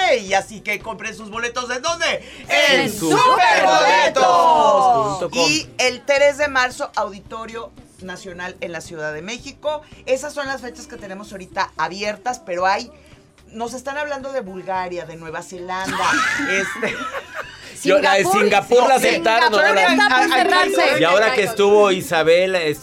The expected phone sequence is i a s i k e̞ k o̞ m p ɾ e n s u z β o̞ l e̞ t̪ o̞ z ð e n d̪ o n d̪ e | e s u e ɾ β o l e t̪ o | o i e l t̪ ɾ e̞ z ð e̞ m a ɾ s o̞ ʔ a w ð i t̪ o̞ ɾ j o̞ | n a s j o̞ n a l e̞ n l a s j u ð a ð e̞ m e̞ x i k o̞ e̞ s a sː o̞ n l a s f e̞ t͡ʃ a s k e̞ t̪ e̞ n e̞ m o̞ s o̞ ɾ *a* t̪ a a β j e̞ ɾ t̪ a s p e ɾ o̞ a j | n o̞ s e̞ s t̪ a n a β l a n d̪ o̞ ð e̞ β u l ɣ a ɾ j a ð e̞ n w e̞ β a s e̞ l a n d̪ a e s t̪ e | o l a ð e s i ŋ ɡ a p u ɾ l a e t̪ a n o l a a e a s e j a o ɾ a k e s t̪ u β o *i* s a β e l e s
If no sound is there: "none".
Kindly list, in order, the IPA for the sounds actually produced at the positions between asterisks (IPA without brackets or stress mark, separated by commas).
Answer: i, i